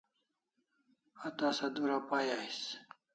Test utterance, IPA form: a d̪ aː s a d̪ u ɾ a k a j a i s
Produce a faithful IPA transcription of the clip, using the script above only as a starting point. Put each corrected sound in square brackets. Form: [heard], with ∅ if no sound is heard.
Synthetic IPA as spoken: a [t̪] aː s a d̪ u ɾ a [p] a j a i s